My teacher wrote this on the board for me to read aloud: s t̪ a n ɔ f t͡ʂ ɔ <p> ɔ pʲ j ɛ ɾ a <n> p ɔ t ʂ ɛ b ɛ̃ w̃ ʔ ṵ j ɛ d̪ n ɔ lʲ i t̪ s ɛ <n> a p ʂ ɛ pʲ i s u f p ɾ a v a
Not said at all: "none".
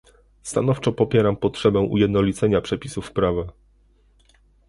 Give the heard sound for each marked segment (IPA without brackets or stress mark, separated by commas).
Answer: p, m, ɲ